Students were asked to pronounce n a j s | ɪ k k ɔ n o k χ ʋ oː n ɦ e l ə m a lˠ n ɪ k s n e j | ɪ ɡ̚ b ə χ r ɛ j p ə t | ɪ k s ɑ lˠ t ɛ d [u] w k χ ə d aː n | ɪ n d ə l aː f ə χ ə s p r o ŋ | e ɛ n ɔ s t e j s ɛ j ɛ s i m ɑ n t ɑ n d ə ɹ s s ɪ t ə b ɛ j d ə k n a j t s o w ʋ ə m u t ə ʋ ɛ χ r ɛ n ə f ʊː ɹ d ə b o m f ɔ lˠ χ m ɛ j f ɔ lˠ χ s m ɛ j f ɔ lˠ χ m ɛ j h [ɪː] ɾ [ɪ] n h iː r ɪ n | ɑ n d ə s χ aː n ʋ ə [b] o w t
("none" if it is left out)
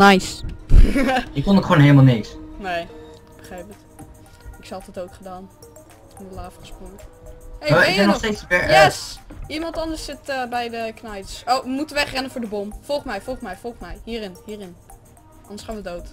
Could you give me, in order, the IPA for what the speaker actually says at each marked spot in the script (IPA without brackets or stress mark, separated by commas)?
o, iː, ɪ, d